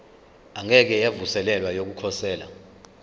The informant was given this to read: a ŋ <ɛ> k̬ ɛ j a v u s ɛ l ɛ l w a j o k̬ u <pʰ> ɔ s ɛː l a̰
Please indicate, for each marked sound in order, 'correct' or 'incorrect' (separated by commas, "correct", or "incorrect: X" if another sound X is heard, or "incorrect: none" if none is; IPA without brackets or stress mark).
correct, incorrect: kʰ